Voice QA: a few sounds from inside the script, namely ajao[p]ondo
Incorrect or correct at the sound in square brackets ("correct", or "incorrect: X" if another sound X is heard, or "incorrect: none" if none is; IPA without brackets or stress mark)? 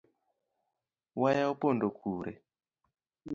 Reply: correct